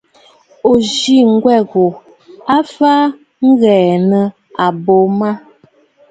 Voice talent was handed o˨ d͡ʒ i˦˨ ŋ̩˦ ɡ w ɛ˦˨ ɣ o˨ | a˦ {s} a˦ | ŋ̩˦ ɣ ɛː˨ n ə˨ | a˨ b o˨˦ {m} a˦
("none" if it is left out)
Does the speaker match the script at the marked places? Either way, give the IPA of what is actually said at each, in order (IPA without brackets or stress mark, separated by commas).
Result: f, m